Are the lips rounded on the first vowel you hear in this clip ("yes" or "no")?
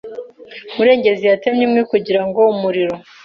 yes